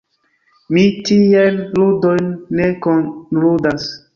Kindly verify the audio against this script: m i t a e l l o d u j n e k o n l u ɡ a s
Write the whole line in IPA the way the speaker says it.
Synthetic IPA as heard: m i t i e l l u d o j nː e k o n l u d a s

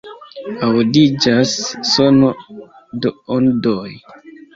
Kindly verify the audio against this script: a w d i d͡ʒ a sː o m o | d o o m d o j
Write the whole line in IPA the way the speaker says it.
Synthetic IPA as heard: a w d i d͡ʒ a sː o n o | d o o n d o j

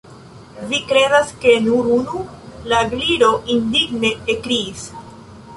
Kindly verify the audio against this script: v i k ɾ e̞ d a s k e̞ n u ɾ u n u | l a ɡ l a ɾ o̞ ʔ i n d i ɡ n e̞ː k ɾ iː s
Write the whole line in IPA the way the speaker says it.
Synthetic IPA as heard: v i k ɾ e̞ d a s k e̞ n u ɾ u n u | l a ɡ l i ɾ o̞ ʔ i n d i ɡ n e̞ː k ɾ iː s

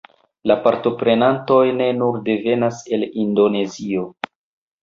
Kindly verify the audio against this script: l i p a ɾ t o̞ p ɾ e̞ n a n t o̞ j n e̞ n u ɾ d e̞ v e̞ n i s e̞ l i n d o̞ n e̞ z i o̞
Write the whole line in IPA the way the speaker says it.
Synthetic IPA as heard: l a p a ɾ t o̞ p ɾ e̞ n a n t o̞ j n e̞ n u ɾ d e̞ v e̞ n a s e̞ l i n d o̞ n e̞ z i o̞

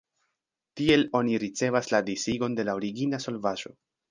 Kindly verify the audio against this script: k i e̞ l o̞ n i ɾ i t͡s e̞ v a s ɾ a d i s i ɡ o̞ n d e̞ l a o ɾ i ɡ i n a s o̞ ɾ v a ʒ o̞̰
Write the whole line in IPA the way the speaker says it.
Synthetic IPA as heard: t i e̞ l o̞ n i ɾ i t͡s e̞ v a s l a d i s i ɡ o̞ n d e̞ l a o ɾ i ɡ i n a s o̞ l v a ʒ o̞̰

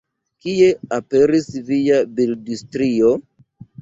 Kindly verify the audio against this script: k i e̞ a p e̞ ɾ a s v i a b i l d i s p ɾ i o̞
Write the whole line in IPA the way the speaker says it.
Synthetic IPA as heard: k i e̞ a p e̞ ɾ i s v i a b i l d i s t ɾ i o̞

